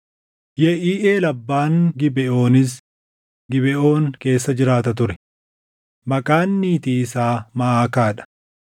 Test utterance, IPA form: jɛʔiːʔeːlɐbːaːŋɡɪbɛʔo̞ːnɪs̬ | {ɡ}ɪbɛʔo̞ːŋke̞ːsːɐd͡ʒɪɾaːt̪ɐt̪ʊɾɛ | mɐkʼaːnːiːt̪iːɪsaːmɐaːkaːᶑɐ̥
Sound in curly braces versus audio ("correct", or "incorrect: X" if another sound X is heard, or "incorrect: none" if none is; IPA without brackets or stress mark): correct